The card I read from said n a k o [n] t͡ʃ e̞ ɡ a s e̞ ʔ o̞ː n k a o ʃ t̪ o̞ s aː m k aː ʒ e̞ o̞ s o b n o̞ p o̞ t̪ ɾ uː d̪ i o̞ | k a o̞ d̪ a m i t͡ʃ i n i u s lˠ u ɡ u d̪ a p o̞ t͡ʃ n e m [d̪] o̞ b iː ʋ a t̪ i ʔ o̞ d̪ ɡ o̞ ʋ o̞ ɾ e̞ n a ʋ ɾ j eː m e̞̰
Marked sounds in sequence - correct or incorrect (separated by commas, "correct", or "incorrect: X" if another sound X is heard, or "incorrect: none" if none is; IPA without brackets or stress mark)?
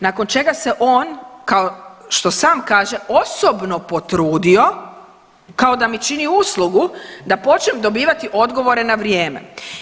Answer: correct, correct